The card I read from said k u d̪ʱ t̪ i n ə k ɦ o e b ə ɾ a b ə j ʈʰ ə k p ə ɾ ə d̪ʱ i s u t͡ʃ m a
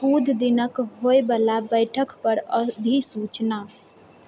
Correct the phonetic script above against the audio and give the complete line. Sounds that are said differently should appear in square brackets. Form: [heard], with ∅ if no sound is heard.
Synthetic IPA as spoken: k u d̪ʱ [d̪] i n ə k ɦ o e b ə [l] a b ə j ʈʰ ə k p ə ɾ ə d̪ʱ i s u t͡ʃ [n] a